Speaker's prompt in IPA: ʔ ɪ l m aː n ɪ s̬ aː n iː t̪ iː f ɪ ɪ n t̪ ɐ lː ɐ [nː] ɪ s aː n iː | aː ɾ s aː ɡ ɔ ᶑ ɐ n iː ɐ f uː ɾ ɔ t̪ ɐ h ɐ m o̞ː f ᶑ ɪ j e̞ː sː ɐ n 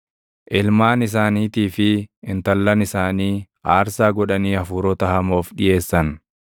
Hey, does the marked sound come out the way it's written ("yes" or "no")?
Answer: no